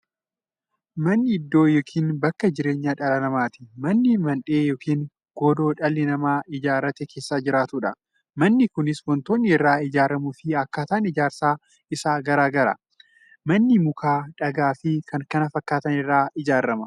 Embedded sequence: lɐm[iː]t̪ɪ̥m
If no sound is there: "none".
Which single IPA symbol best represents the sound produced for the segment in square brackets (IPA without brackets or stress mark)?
aː